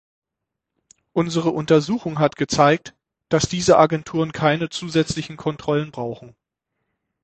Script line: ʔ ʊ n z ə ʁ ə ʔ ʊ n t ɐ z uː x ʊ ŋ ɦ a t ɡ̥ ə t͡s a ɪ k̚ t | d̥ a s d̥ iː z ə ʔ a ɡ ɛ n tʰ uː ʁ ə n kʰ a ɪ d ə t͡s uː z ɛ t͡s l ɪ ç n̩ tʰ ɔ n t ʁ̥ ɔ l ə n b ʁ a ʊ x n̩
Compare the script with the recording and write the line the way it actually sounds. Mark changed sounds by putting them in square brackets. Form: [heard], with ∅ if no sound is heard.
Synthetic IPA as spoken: ʔ ʊ n z ə ʁ ə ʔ ʊ n t ɐ z uː x ʊ ŋ ɦ a t ɡ̥ ə t͡s a ɪ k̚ t | d̥ a s d̥ iː z ə ʔ a ɡ ɛ n tʰ uː ʁ ə n kʰ a ɪ [n] ə t͡s uː z ɛ t͡s l ɪ ç n̩ [kʰ] ɔ n t ʁ̥ ɔ l ə n b ʁ a ʊ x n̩